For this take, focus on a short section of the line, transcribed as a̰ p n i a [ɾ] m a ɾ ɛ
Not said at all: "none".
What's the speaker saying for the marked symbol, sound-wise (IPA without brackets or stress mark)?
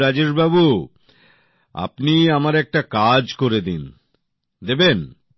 none